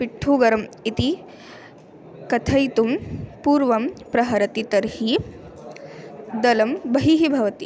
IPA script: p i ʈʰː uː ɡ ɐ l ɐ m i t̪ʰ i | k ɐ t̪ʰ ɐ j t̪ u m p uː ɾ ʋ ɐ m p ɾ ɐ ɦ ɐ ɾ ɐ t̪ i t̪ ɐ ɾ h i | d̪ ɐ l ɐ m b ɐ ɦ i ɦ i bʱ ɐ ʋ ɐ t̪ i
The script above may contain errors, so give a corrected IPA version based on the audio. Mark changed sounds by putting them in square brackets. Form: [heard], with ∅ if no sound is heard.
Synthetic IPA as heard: p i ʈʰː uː ɡ ɐ [ɾ] ɐ m i [t̪] i | k ɐ t̪ʰ ɐ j t̪ u m p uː ɾ ʋ ɐ m p ɾ ɐ ɦ ɐ ɾ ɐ t̪ i t̪ ɐ ɾ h i | d̪ ɐ l ɐ m b ɐ ɦ i ɦ i bʱ ɐ ʋ ɐ t̪ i

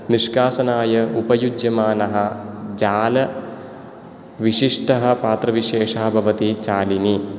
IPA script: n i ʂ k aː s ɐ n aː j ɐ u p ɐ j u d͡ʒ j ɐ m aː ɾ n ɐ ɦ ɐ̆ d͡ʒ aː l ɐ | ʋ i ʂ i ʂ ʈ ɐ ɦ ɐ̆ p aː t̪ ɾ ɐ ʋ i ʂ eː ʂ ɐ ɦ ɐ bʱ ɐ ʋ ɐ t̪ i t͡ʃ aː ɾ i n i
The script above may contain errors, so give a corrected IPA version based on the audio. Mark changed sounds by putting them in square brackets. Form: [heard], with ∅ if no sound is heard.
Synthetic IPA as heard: n i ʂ k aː s ɐ n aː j ɐ u p ɐ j u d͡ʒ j ɐ m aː [∅] n ɐ ɦ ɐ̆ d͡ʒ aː l ɐ | ʋ i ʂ i ʂ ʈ ɐ ɦ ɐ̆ p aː t̪ ɾ ɐ ʋ i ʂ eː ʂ ɐ ɦ ɐ bʱ ɐ ʋ ɐ t̪ i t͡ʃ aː [l] i n i

